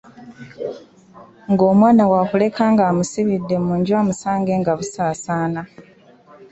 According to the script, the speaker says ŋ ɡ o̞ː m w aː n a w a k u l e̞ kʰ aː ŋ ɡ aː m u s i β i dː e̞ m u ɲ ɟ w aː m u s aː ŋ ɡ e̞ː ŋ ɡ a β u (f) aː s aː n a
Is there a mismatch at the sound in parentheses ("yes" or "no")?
yes